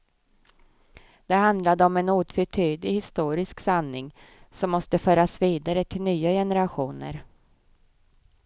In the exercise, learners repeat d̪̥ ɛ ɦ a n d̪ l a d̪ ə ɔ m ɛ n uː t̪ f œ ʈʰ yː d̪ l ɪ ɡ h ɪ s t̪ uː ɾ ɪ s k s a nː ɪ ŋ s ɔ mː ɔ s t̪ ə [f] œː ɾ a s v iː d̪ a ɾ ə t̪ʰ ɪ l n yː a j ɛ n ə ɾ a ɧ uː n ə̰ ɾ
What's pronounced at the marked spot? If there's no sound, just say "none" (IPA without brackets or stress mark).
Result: f